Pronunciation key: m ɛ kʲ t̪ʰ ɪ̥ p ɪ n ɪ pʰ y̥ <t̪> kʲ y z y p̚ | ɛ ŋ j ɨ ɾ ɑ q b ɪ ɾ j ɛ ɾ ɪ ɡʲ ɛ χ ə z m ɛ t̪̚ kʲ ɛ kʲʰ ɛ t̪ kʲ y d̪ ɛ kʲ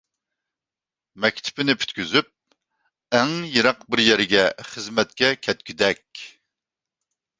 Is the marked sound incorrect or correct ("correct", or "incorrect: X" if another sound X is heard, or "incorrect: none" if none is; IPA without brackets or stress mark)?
correct